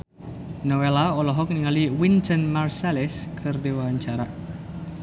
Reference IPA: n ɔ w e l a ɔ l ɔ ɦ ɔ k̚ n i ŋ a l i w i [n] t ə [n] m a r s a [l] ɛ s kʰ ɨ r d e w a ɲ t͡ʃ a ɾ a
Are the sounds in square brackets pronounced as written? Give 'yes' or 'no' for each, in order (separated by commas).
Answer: yes, yes, yes